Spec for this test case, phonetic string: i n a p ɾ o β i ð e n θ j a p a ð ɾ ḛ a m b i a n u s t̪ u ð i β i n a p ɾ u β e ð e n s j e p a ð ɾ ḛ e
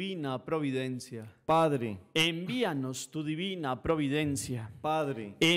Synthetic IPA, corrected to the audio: i n a p ɾ o β i ð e n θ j a p a ð ɾ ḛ e m b i a n o s t̪ u ð i β i n a p ɾ o β i ð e n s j a p a ð ɾ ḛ e